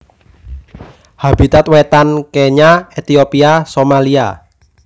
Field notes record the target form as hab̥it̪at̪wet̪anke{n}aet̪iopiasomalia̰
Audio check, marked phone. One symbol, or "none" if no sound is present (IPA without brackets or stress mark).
ɲ